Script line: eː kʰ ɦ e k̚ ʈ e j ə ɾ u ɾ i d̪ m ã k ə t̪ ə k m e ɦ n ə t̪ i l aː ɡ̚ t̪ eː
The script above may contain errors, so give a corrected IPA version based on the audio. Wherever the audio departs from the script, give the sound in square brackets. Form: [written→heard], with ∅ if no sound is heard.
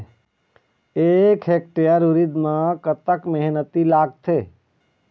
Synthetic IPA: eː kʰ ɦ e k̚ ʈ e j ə ɾ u ɾ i d̪ m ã k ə t̪ ə k m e ɦ n ə t̪ i l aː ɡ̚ [t̪→t̪ʰ] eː